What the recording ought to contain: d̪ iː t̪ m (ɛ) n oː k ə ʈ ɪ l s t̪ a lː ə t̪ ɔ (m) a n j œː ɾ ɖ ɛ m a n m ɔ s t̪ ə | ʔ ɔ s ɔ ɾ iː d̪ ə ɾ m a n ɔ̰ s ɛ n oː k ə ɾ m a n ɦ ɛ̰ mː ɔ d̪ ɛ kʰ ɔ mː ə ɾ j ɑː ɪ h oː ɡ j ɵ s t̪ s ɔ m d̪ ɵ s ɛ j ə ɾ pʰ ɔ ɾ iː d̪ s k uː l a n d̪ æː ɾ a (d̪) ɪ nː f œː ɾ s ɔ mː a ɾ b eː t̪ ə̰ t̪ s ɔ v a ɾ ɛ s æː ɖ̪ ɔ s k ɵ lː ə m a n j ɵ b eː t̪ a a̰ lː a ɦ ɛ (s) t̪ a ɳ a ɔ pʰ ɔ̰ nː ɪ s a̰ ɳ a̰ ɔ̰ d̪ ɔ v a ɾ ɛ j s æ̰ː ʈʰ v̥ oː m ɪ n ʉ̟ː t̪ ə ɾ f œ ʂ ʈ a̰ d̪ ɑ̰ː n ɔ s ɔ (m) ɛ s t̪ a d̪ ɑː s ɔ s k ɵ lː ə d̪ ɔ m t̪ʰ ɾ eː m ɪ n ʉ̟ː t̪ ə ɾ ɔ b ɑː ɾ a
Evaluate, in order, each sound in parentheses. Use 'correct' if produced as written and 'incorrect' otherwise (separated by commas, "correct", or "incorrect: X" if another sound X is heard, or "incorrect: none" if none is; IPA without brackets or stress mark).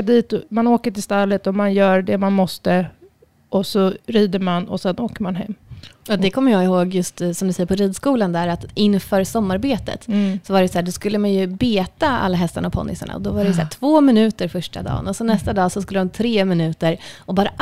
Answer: incorrect: a, correct, incorrect: t̪, correct, incorrect: n